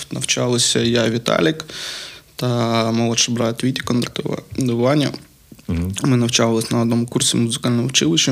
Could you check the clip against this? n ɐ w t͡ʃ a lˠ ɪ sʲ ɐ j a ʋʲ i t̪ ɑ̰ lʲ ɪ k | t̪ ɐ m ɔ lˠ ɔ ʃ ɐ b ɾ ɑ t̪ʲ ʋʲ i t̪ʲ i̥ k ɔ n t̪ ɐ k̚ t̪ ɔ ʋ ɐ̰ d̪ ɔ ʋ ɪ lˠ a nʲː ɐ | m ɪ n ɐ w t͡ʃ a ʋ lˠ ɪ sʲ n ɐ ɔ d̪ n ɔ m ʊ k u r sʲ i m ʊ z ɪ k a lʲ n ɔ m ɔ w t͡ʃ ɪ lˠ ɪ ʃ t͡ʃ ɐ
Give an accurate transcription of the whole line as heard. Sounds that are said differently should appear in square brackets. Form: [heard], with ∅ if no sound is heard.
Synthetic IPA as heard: n ɐ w t͡ʃ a lˠ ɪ sʲ ɐ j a ʋʲ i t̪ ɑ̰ lʲ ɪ k | t̪ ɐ m ɔ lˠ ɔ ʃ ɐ b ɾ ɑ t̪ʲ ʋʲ i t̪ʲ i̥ k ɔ n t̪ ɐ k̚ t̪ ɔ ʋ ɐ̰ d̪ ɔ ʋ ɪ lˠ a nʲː ɐ | m ɪ n ɐ w t͡ʃ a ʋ lˠ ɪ sʲ n ɐ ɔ d̪ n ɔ m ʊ k u r sʲ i m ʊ z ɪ k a lʲ n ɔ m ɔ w t͡ʃ ɪ lˠ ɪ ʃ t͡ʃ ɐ